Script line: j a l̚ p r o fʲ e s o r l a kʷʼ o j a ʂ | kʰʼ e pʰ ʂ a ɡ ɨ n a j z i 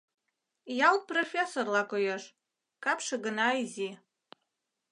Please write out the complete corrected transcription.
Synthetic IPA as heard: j a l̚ p r o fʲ e s o r l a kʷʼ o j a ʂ | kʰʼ a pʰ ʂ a ɡ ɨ n a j z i